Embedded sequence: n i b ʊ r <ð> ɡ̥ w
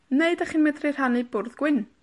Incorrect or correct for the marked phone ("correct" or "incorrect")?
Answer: correct